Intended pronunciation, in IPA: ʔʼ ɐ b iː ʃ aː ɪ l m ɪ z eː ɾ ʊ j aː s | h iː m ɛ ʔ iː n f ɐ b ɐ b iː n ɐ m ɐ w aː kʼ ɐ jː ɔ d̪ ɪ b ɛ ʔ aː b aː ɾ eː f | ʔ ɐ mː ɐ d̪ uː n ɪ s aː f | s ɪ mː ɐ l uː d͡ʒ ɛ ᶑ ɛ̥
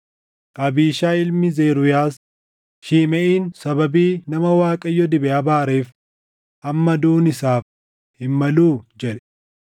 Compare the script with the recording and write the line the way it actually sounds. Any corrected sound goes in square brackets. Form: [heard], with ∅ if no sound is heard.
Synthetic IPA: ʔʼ ɐ b iː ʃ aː ɪ l m ɪ z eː ɾ ʊ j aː s | [ʃ] iː m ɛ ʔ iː n [s] ɐ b ɐ b iː n ɐ m ɐ w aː kʼ ɐ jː ɔ d̪ ɪ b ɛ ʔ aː b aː ɾ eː f | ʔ ɐ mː ɐ d̪ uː n ɪ s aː f | [h] ɪ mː ɐ l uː d͡ʒ ɛ ᶑ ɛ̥